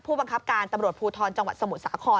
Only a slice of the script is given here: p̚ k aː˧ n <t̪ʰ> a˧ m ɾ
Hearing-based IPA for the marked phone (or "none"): t̪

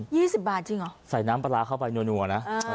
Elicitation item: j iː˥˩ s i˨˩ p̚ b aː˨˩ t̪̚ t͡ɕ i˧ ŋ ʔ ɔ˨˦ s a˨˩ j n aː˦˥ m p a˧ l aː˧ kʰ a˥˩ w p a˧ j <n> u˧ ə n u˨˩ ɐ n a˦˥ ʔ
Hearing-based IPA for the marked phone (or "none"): n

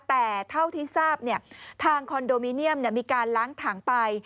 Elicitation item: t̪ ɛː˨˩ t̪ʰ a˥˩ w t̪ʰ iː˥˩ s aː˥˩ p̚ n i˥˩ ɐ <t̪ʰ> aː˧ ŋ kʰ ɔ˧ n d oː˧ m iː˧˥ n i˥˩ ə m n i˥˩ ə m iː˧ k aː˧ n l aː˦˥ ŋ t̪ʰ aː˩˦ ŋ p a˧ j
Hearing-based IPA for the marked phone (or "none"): t̪ʰ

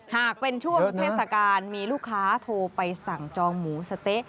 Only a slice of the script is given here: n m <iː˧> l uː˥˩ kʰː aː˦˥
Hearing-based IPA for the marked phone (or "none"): iː˧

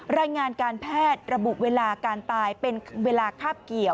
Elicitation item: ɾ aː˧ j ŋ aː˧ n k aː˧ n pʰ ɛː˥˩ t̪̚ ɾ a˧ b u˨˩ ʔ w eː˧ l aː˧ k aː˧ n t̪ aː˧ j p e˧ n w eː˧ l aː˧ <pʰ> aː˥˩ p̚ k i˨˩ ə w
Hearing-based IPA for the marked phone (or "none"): kʰ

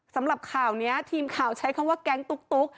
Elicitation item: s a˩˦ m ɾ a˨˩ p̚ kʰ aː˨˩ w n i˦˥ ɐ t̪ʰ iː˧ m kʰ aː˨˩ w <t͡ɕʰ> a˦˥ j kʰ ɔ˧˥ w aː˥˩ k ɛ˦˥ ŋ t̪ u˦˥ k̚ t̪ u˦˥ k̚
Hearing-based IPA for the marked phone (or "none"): t͡ɕʰ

